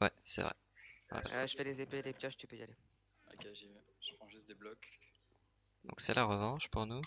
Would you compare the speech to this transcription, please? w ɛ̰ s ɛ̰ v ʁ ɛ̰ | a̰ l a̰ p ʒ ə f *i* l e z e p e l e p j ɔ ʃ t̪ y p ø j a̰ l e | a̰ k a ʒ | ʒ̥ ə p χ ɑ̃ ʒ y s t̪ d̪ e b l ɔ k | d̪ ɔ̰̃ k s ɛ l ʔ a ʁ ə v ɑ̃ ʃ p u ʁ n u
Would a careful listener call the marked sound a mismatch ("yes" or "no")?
yes